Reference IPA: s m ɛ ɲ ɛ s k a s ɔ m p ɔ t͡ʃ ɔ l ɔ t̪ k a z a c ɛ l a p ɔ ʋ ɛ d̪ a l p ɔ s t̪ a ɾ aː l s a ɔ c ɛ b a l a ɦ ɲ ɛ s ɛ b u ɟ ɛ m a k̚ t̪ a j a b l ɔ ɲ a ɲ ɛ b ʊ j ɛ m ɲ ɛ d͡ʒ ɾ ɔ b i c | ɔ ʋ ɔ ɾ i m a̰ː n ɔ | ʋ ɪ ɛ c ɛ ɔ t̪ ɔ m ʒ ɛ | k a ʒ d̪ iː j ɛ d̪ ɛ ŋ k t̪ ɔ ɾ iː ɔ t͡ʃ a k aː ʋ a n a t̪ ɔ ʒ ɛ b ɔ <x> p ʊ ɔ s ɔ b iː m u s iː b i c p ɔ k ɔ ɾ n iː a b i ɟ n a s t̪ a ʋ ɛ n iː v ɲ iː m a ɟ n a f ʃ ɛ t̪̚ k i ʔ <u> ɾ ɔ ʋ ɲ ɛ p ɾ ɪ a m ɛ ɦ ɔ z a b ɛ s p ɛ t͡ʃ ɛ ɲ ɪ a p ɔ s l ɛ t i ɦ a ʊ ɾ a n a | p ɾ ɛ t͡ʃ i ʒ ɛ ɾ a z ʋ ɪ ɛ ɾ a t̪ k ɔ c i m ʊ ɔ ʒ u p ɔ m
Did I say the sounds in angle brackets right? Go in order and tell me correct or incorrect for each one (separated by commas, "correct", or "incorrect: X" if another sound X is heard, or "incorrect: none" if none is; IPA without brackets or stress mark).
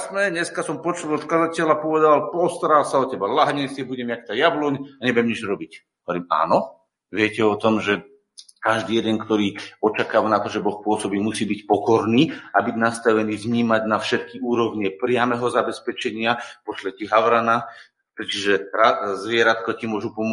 correct, incorrect: uː